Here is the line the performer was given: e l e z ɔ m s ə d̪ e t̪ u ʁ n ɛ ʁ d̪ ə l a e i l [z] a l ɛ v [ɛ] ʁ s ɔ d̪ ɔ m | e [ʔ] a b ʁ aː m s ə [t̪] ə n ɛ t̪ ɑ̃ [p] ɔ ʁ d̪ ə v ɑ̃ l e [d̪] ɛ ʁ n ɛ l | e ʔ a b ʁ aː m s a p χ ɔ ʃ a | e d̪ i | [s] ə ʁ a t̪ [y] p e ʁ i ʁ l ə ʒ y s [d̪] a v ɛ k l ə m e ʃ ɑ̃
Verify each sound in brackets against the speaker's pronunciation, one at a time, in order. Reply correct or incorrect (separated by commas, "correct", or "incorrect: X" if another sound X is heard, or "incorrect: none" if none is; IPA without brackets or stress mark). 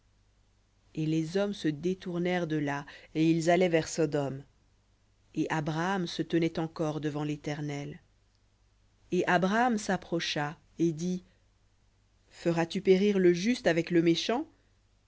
correct, correct, correct, correct, incorrect: k, incorrect: t̪, incorrect: f, correct, incorrect: t̪